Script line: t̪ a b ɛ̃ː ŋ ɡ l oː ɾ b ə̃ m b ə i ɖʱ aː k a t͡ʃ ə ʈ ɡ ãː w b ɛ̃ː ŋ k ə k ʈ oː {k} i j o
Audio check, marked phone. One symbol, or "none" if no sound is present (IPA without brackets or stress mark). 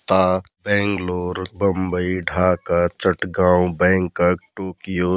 k